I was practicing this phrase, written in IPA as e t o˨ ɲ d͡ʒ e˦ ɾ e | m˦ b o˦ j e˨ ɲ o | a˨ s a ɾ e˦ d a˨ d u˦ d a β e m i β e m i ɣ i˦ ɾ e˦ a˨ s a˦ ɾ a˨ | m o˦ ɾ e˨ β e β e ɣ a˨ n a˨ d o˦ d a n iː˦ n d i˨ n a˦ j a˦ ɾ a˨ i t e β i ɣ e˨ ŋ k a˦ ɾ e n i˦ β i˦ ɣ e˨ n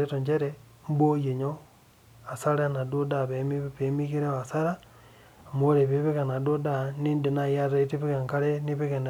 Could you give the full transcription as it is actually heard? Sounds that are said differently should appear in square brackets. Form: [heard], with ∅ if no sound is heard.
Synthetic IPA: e t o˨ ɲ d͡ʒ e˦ ɾ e | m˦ b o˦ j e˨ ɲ o | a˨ s a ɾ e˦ [n] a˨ d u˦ d a β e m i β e m i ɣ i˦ ɾ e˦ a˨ s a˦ ɾ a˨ | m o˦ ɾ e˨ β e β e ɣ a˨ n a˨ d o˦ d a n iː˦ n d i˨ n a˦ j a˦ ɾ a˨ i t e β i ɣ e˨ ŋ k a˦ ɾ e n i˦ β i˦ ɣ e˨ n